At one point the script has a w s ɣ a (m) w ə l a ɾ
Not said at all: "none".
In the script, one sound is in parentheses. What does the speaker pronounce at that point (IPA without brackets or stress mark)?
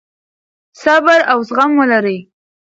m